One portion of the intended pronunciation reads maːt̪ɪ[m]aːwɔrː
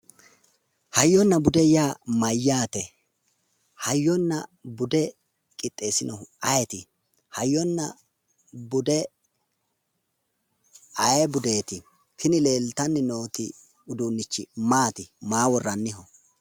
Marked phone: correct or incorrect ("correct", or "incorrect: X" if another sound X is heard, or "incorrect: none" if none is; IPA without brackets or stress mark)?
correct